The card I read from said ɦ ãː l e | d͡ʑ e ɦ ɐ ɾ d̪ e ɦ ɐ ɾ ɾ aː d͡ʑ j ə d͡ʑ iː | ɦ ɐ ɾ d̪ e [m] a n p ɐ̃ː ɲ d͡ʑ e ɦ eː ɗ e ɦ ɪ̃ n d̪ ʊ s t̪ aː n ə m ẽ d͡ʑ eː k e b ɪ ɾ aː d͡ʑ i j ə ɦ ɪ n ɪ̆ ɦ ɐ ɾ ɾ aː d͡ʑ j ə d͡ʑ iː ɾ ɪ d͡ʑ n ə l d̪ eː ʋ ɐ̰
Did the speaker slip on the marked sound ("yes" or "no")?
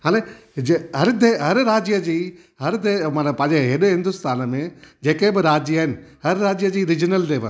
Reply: no